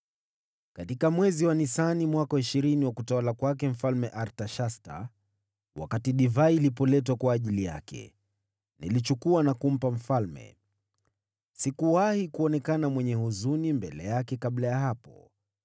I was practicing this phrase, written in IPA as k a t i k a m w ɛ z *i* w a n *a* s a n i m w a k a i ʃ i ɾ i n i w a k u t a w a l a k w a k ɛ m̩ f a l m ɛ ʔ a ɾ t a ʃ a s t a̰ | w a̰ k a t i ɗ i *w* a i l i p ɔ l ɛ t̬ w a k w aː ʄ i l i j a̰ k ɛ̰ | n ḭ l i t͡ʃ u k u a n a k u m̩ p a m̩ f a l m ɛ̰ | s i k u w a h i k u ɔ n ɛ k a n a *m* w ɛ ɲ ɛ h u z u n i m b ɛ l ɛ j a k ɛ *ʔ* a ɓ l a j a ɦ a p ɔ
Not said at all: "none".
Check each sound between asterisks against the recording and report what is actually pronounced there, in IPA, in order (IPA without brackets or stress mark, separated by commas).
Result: i, i, v, m, k